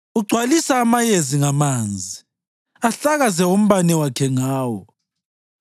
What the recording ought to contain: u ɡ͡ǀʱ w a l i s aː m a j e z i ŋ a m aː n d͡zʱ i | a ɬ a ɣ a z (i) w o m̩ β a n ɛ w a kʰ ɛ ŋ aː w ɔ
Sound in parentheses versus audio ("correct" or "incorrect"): incorrect